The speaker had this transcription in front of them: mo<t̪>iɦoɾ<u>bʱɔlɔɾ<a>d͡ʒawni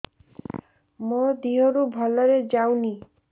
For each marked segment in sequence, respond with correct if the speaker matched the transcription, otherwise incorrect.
incorrect, correct, incorrect

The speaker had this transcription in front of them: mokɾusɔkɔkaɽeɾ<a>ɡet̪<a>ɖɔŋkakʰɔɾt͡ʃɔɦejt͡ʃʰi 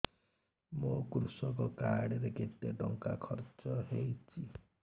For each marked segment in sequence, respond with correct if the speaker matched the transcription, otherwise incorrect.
incorrect, incorrect

